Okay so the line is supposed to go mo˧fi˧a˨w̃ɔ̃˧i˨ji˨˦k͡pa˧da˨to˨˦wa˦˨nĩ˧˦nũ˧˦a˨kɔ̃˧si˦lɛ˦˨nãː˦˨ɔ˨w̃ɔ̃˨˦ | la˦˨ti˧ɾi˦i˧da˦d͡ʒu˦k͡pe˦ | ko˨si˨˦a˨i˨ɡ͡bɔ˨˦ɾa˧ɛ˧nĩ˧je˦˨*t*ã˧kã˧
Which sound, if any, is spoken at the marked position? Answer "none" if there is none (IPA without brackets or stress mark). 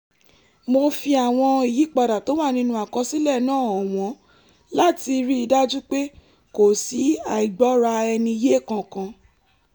k